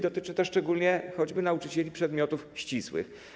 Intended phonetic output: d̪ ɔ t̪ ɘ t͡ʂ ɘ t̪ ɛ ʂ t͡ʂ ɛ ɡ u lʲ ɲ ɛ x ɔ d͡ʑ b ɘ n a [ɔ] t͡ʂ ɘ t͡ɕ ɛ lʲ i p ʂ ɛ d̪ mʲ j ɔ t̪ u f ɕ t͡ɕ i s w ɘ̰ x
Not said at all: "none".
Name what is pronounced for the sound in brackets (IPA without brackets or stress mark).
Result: u